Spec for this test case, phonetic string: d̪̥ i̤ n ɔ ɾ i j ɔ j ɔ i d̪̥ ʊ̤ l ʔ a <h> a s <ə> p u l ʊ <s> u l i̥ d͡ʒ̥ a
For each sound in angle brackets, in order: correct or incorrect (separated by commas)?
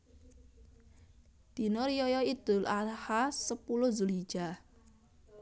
correct, correct, incorrect